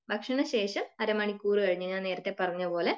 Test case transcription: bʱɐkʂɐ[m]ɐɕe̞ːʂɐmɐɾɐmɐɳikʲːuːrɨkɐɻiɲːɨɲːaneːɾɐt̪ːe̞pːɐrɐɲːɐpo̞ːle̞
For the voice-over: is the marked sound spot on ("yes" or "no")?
no